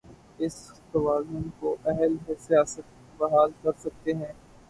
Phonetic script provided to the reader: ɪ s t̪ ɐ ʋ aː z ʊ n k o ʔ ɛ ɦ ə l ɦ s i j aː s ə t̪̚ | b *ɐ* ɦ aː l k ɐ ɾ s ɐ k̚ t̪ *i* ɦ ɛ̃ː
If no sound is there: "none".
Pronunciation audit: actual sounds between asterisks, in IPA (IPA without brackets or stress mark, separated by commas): ɐ, e